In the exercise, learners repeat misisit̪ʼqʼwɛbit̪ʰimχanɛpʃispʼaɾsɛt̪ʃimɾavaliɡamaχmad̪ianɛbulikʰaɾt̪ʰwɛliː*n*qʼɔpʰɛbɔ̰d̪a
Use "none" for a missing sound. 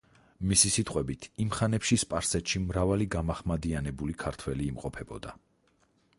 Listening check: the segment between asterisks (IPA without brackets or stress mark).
m